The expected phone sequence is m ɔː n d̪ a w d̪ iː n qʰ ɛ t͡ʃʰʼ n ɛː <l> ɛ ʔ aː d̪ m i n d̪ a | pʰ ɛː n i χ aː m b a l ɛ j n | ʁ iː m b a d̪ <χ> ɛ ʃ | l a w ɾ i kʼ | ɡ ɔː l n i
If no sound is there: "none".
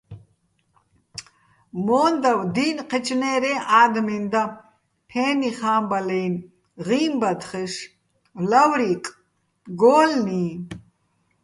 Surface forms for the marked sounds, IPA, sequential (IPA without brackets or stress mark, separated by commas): ɾ, χ